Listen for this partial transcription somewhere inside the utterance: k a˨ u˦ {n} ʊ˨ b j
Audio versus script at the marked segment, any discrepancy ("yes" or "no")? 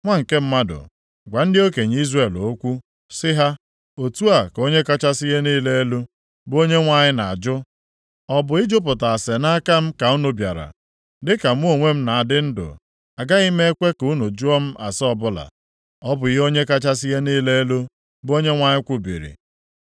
no